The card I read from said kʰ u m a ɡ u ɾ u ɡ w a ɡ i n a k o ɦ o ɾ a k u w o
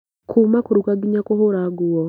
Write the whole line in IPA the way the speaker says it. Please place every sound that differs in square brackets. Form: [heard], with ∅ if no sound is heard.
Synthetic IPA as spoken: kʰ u m a [k] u ɾ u ɡ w a ɡ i [ɲ] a k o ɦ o ɾ a [ɡ] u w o